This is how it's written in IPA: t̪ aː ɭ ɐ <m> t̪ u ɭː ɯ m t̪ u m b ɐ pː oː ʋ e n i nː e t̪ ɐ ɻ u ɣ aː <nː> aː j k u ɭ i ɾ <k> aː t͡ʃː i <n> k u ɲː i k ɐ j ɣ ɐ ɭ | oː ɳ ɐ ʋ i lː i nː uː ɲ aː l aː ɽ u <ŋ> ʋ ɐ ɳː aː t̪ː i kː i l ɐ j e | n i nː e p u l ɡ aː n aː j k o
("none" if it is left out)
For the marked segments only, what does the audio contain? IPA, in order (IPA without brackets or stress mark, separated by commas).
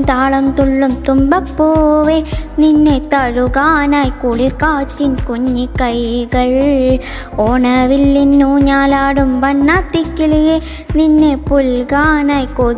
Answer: m, n, k, n, m